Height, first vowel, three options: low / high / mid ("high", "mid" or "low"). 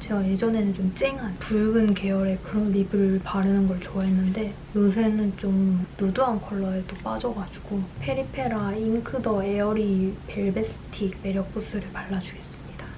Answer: mid